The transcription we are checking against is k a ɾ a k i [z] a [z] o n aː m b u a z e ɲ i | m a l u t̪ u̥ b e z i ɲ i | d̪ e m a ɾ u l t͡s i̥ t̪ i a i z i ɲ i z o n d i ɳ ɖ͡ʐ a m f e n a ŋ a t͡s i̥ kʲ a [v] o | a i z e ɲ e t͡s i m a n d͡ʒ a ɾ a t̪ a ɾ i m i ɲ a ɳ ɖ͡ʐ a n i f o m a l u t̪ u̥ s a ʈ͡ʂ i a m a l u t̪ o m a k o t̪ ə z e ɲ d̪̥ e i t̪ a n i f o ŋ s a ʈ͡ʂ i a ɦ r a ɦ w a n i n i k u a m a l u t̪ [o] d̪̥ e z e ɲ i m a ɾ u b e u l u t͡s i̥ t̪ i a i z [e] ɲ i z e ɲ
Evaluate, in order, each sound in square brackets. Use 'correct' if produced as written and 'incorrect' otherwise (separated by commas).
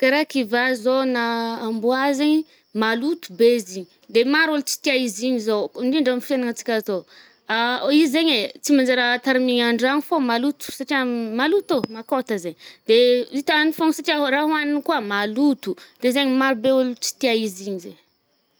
incorrect, correct, incorrect, incorrect, incorrect